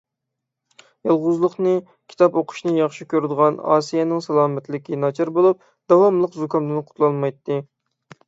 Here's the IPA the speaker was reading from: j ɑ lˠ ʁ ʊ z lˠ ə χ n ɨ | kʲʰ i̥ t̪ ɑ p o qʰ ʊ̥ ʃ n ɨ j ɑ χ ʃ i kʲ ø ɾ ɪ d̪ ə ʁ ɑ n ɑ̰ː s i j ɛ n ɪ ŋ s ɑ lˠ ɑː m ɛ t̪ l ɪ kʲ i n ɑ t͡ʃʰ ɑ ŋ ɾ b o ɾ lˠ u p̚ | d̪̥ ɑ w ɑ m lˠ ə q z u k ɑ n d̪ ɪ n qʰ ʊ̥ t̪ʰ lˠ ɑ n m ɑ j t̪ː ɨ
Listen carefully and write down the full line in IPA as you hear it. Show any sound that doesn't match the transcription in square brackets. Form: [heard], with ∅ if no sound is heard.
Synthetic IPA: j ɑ lˠ ʁ ʊ z lˠ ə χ n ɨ | kʲʰ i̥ t̪ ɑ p o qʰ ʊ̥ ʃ n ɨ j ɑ χ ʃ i kʲ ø ɾ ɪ d̪ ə ʁ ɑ n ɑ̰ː s i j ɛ n ɪ ŋ s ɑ lˠ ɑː m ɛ t̪ l ɪ kʲ i n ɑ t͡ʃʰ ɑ [∅] ɾ b o [∅] lˠ u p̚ | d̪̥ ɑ w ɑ m lˠ ə q z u k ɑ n d̪ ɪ n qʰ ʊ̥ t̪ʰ lˠ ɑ n m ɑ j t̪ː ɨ

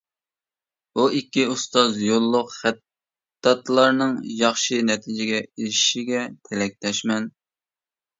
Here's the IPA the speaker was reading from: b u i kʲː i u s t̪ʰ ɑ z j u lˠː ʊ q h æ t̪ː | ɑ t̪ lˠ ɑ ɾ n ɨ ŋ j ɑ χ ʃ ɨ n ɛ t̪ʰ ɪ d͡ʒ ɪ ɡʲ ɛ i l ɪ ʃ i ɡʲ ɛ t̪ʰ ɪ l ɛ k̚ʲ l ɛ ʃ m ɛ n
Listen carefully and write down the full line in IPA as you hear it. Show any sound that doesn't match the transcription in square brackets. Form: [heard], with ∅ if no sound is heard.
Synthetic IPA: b u i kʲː i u s [t̪] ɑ z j [o] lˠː ʊ q [χ] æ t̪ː | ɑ t̪ lˠ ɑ ɾ n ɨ ŋ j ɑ χ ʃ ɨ n ɛ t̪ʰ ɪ d͡ʒ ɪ ɡʲ ɛ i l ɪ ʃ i ɡʲ ɛ t̪ʰ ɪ l ɛ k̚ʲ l ɛ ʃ m ɛ n

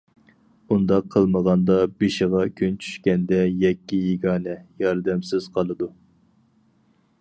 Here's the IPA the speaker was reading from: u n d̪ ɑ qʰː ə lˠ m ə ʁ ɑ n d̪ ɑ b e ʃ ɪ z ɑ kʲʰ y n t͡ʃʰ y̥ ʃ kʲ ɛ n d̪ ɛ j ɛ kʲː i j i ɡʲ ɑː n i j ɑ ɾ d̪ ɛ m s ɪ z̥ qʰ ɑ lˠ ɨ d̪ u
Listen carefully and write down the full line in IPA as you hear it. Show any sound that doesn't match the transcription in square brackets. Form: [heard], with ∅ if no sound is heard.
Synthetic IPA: u n d̪ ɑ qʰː ə lˠ m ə ʁ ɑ n d̪ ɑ b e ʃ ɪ [ʁ] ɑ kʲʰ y n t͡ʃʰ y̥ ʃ kʲ ɛ n d̪ ɛ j ɛ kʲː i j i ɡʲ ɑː n [ɛ] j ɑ ɾ d̪ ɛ m s ɪ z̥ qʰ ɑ lˠ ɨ d̪ u

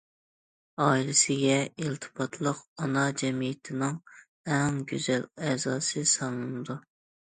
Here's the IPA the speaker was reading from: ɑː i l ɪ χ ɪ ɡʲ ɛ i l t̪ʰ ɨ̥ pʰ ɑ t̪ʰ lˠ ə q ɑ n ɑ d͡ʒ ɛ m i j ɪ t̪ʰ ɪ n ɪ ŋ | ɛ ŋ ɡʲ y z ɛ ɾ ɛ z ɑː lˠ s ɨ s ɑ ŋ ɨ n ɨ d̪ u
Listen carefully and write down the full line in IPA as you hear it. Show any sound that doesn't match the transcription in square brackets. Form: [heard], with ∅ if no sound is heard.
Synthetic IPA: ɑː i l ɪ [s] ɪ ɡʲ ɛ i l t̪ʰ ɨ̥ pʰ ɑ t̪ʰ lˠ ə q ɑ n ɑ d͡ʒ ɛ m i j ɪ t̪ʰ ɪ n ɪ ŋ | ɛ ŋ ɡʲ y z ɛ [l] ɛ z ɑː [∅] s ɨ s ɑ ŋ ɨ n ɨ d̪ u

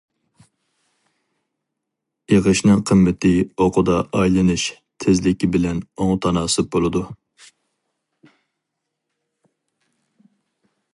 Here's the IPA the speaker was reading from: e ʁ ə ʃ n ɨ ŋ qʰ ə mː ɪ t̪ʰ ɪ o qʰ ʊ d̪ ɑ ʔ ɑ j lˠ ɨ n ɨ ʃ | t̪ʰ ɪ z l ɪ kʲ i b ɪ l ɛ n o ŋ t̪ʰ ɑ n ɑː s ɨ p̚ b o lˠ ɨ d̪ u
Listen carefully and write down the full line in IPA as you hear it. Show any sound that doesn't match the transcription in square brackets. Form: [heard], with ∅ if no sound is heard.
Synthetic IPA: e ʁ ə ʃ n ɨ ŋ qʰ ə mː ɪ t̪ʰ ɪ o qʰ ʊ d̪ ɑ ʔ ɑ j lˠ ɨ n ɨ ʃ | t̪ʰ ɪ z l ɪ kʲ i b ɪ l ɛ n o ŋ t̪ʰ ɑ n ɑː s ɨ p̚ b o lˠ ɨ d̪ u

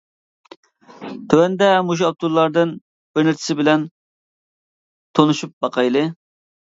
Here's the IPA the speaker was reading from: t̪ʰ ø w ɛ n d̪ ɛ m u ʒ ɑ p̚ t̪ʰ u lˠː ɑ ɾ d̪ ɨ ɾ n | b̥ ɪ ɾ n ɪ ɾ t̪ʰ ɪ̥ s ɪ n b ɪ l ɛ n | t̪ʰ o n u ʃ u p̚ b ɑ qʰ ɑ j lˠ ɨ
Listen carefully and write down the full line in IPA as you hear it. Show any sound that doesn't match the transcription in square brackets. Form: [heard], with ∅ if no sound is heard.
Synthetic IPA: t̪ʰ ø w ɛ n d̪ ɛ m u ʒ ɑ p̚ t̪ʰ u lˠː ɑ ɾ d̪ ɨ [∅] n | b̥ ɪ ɾ n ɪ ɾ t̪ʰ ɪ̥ s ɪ [∅] b ɪ l ɛ n | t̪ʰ o n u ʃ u p̚ b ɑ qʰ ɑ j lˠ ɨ

